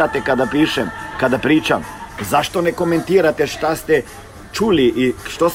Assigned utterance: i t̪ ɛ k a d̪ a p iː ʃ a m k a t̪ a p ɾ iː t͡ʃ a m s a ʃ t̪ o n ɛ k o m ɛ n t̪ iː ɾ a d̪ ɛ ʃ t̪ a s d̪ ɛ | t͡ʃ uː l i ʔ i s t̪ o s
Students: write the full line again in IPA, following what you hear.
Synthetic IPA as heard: a t̪ ɛ k a d̪ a p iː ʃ ɛ m k a d̪ a p ɾ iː t͡ʃ a m z a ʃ t̪ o n ɛ k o m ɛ n t̪ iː ɾ a t̪ ɛ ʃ t̪ a s t̪ ɛ | t͡ʃ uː l i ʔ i ʃ t̪ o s